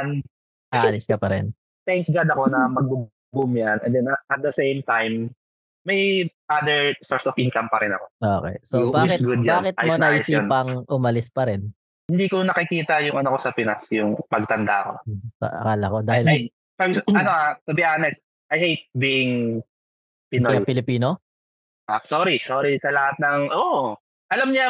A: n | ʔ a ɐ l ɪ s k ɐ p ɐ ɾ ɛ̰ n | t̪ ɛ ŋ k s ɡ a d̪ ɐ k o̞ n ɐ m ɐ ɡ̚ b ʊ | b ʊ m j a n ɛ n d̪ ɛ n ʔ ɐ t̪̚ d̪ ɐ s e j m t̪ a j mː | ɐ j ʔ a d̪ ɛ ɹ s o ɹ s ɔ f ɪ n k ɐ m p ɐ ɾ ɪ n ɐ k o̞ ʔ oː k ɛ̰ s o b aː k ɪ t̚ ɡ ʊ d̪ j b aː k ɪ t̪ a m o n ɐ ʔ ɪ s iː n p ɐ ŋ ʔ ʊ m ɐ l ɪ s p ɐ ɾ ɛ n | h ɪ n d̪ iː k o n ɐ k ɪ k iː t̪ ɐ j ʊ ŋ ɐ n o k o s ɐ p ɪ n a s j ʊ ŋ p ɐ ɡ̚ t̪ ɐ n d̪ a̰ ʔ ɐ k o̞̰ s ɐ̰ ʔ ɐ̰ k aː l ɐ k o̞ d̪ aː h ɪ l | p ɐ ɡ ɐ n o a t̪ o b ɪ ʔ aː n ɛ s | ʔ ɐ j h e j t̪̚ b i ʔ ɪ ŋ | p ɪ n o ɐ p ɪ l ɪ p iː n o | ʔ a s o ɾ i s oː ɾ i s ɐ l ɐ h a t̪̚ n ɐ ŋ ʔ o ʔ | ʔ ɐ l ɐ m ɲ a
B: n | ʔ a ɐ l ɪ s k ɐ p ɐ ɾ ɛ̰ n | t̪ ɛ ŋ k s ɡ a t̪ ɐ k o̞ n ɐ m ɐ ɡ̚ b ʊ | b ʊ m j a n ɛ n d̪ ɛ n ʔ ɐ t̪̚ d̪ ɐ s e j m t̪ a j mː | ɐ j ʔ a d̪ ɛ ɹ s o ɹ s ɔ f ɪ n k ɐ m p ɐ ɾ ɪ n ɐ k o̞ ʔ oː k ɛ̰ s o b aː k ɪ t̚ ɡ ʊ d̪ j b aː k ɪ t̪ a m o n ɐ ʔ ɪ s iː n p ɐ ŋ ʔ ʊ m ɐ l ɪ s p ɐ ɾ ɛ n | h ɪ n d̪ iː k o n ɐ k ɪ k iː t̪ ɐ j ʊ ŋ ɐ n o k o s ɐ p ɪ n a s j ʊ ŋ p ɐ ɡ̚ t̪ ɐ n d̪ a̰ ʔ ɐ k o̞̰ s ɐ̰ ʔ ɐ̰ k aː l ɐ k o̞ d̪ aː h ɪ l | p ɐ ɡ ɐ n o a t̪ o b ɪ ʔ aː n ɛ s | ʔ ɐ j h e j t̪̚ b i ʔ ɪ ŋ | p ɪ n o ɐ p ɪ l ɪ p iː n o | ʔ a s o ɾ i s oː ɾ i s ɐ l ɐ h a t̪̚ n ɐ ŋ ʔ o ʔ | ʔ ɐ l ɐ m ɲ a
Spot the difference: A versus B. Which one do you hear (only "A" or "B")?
A